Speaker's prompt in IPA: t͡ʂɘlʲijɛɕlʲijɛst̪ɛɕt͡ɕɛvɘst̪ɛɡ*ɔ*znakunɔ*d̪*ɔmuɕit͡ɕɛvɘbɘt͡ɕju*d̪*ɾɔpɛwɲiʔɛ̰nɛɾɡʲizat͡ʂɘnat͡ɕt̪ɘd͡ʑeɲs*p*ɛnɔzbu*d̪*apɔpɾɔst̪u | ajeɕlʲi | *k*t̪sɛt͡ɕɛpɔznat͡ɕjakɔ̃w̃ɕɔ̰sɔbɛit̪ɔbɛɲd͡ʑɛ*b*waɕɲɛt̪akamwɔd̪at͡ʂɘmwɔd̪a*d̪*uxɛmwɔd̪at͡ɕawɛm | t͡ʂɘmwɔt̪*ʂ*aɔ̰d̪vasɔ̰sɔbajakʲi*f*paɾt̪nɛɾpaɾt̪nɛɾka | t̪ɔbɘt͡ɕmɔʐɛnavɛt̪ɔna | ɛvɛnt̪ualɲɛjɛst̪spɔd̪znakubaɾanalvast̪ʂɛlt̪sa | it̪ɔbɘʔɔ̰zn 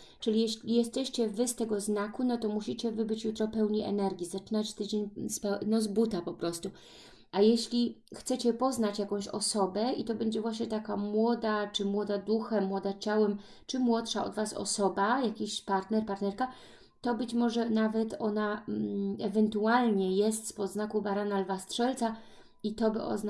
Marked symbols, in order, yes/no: yes, no, no, yes, no, no, no, yes, yes, no

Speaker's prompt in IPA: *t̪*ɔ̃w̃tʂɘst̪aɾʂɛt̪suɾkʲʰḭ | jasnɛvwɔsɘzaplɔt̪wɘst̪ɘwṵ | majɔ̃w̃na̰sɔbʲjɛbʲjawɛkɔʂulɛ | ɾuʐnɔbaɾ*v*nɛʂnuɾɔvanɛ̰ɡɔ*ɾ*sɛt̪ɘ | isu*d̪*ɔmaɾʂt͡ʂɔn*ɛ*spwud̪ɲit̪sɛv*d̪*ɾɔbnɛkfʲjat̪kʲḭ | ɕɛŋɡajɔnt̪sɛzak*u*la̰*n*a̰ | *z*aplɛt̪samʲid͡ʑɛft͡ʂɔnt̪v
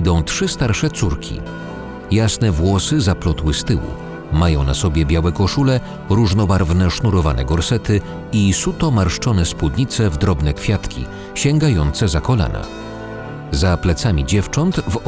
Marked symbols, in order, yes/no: no, yes, yes, no, yes, yes, no, yes, yes

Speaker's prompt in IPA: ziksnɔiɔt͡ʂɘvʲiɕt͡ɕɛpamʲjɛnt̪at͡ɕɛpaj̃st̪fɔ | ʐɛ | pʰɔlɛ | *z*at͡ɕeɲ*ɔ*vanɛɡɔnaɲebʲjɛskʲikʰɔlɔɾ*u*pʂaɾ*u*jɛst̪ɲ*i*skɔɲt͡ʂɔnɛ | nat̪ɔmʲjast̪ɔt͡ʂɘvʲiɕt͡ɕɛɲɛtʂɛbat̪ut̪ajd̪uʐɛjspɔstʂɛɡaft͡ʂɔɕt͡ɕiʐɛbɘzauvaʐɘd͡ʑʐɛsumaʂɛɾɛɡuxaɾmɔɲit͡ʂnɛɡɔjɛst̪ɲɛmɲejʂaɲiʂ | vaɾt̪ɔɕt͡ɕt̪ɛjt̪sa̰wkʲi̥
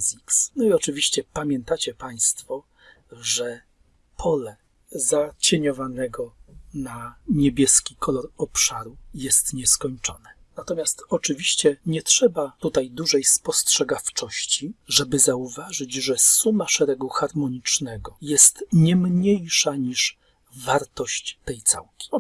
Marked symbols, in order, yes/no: yes, yes, no, yes, no

